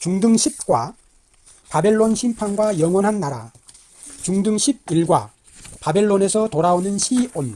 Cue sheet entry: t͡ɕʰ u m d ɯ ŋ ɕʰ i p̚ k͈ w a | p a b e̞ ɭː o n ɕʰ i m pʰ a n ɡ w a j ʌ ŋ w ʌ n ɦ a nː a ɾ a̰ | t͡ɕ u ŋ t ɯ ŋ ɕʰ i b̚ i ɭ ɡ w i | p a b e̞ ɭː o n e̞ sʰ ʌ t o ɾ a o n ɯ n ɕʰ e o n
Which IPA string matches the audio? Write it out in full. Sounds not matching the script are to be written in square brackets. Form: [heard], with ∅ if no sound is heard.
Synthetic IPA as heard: [t͡ɕ] u [ŋ] d ɯ ŋ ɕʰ i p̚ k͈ w a | p a b e̞ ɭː o n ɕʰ i m pʰ a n ɡ w a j ʌ ŋ w ʌ n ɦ a nː a ɾ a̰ | t͡ɕ u ŋ [d] ɯ ŋ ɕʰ i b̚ i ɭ ɡ w [a] | p a b e̞ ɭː o n e̞ sʰ ʌ t o ɾ a o n ɯ n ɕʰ [i] o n